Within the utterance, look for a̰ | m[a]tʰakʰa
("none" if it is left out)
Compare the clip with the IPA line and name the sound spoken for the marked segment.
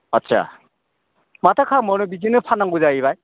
a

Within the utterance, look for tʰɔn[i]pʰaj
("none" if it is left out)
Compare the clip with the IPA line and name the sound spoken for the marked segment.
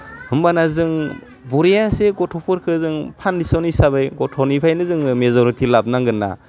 i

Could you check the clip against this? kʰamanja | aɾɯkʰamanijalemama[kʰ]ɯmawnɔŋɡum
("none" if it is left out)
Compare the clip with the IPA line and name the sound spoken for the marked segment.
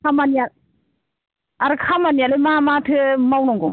tʰ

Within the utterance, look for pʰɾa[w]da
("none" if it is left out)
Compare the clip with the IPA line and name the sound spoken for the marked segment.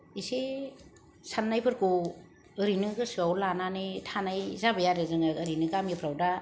w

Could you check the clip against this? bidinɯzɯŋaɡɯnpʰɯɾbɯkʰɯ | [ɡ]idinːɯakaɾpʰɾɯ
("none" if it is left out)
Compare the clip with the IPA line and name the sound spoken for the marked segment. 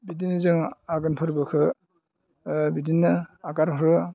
b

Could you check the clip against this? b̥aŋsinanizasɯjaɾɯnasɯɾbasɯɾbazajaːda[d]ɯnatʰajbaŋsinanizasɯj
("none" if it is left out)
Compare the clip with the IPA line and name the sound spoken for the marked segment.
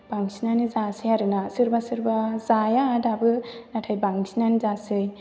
b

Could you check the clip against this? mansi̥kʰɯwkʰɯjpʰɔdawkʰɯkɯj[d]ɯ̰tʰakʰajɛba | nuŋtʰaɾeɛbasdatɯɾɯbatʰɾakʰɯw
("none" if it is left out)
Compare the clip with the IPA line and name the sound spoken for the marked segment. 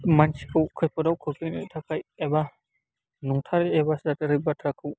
n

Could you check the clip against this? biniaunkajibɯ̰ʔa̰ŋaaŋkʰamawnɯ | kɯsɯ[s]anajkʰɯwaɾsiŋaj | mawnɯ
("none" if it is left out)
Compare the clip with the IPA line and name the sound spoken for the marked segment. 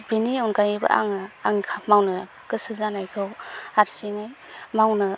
z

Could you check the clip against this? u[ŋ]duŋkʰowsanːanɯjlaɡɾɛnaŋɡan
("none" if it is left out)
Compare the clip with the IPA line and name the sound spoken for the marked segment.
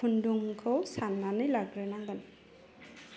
n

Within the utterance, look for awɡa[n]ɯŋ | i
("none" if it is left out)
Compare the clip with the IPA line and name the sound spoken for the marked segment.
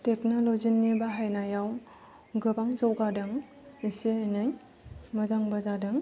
d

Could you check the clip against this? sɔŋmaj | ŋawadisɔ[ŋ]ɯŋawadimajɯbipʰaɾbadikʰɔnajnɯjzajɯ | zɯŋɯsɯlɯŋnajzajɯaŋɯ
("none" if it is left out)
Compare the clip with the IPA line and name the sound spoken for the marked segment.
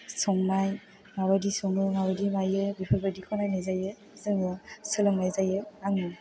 ŋ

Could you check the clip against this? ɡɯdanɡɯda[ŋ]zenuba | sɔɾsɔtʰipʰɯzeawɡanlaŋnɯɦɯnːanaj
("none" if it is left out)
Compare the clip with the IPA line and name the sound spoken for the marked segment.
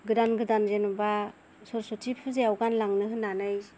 n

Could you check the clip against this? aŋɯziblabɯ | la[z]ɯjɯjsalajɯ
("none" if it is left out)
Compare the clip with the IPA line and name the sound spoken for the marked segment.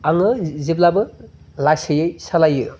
s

